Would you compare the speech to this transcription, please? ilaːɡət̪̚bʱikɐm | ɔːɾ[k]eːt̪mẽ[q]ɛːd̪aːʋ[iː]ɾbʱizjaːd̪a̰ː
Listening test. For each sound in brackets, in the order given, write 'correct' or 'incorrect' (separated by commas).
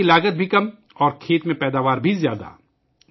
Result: incorrect, incorrect, incorrect